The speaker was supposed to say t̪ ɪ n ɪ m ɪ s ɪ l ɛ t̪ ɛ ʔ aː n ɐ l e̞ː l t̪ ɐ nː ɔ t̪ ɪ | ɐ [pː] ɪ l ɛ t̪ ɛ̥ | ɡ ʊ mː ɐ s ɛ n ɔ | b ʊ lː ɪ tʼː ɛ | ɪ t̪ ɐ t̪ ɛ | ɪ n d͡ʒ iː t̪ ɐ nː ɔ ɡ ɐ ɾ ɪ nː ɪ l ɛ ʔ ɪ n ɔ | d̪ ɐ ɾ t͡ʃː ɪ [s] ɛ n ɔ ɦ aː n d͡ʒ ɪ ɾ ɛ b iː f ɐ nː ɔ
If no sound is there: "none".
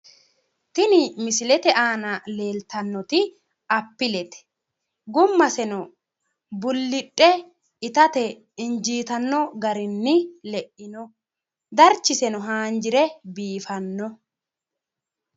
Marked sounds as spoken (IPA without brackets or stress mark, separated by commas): pː, s